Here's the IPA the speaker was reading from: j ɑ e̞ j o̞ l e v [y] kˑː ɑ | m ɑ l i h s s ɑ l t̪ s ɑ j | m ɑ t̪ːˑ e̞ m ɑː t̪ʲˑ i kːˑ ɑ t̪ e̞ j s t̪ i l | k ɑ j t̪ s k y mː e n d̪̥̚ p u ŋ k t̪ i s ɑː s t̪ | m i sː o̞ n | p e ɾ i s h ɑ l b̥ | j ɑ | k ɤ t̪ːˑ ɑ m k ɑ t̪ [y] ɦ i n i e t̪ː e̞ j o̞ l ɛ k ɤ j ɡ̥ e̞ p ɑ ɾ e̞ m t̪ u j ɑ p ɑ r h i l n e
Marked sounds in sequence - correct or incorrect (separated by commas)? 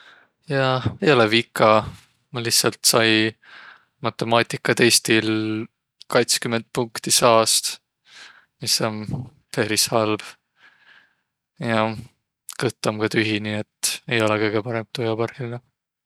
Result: incorrect, correct